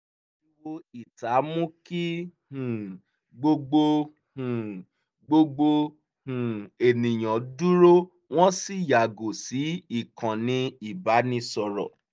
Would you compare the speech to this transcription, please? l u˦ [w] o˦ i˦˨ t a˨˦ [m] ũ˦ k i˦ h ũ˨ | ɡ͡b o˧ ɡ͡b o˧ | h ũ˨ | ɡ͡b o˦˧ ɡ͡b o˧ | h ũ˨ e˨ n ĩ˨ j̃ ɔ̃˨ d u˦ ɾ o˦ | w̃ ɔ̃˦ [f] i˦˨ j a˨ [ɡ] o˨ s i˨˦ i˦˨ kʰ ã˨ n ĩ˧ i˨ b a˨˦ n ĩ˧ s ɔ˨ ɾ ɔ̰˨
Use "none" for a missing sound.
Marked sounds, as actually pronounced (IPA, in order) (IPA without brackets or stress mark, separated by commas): w, m, s, ɡ